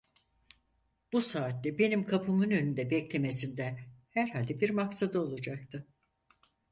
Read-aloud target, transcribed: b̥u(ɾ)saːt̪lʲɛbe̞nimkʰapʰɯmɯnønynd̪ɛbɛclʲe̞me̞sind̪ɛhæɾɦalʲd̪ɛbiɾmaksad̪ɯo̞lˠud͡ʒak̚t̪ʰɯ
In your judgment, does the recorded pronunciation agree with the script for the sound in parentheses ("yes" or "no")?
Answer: no